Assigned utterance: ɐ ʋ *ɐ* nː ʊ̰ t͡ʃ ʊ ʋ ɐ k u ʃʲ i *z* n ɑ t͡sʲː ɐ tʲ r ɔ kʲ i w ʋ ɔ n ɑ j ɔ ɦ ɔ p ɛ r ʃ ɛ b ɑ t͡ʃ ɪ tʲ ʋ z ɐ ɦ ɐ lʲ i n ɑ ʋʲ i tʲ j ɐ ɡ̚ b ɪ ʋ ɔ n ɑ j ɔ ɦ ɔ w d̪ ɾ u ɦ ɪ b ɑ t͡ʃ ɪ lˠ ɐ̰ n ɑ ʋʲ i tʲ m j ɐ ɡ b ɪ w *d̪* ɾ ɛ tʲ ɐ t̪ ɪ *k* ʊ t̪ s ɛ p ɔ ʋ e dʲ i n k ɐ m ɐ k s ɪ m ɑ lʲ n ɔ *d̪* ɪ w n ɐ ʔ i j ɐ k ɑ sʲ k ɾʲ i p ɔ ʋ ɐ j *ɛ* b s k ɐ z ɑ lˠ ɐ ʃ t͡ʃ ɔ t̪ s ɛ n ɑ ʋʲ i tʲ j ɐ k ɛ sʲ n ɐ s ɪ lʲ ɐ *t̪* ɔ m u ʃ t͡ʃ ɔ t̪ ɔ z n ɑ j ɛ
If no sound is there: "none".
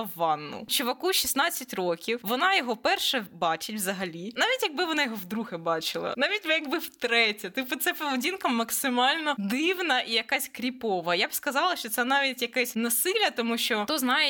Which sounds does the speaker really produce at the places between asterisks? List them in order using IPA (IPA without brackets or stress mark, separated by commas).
ɑ, s, t̪, p, d̪, a, t̪